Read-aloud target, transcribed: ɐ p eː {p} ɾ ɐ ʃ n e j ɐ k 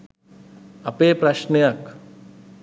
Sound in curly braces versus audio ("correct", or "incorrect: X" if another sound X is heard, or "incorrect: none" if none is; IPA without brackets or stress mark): correct